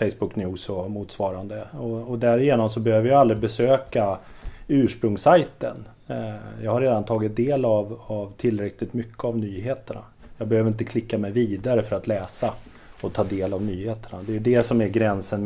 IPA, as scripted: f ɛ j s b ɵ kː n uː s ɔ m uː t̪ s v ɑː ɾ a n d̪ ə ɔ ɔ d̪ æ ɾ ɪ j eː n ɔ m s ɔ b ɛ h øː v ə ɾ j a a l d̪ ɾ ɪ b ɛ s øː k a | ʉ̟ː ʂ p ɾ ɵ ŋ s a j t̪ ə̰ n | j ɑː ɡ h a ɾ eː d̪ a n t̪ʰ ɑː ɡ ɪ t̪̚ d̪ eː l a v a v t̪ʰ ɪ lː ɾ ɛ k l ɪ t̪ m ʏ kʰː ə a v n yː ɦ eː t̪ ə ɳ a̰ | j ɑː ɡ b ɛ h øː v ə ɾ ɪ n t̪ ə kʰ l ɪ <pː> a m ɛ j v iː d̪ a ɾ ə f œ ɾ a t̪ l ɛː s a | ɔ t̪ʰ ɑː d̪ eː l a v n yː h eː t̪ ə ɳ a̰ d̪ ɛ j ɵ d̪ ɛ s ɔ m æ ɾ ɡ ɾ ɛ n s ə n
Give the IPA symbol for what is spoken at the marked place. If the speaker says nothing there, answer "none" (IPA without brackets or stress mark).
kː